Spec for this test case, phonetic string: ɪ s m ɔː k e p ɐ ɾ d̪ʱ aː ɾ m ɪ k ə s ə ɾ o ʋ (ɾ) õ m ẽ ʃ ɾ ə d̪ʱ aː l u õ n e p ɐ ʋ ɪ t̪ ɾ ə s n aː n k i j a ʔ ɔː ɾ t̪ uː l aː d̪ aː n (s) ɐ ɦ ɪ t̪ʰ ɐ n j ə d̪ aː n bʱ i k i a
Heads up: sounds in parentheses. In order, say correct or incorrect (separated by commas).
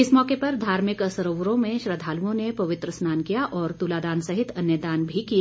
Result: correct, correct